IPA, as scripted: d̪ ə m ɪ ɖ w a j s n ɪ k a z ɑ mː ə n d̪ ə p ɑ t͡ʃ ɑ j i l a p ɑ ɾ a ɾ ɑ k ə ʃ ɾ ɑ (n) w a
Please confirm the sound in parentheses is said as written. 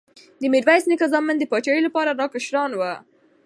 yes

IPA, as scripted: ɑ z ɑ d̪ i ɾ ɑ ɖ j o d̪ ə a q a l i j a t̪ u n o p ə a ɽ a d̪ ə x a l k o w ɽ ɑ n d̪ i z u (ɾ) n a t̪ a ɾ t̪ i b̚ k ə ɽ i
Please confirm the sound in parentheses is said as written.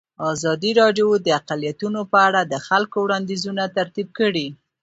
no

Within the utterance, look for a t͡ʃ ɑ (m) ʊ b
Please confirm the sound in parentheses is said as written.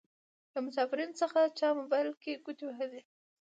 yes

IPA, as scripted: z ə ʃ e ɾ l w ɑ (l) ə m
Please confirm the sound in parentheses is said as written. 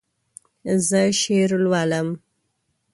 yes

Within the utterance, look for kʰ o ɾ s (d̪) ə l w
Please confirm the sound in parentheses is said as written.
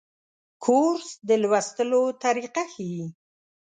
yes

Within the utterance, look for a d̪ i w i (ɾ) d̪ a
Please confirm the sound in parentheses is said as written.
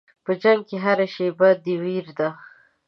yes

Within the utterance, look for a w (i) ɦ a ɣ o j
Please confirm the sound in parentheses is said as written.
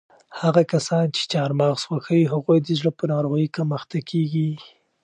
yes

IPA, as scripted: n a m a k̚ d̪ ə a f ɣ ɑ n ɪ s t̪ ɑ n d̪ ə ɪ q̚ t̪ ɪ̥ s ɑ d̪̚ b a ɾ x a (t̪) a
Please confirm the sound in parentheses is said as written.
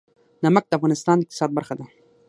no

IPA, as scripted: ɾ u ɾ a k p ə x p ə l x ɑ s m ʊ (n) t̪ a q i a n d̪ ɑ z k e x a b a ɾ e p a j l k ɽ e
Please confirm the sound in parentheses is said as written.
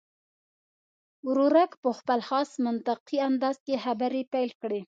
yes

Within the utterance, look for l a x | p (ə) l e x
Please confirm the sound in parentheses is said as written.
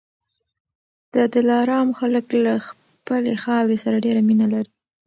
yes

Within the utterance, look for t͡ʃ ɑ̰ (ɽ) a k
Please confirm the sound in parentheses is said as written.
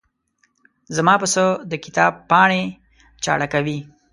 yes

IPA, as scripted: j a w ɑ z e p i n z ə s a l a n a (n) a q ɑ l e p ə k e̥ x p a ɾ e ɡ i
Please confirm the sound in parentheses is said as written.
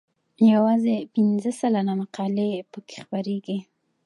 no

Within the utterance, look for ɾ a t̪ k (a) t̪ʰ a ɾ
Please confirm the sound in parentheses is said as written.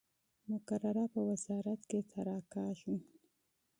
no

